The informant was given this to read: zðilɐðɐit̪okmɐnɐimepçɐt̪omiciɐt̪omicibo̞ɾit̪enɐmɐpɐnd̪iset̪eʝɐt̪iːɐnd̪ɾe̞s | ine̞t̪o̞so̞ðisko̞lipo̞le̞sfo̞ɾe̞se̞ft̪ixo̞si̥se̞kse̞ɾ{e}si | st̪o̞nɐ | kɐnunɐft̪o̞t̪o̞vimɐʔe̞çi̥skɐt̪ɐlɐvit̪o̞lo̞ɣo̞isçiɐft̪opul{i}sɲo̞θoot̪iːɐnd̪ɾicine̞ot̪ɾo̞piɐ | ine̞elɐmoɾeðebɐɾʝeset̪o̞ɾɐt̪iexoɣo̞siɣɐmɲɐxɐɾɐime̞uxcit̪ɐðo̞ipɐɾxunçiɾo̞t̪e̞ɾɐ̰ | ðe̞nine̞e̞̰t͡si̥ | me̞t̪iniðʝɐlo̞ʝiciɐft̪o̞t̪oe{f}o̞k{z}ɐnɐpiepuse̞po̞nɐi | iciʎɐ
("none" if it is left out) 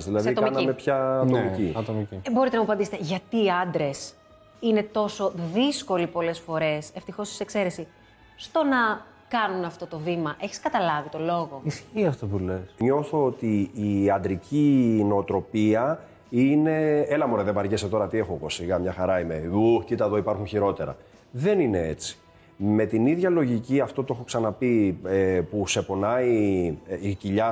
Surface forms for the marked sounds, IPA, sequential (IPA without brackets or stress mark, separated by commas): e, e, x, s